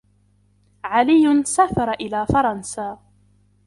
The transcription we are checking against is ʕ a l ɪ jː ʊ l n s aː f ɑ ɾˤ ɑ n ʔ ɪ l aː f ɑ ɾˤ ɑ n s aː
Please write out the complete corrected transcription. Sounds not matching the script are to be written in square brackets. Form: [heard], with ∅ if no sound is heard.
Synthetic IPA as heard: ʕ a l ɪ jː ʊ [∅] n s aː f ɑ ɾˤ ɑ [∅] ʔ ɪ l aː f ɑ ɾˤ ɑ n s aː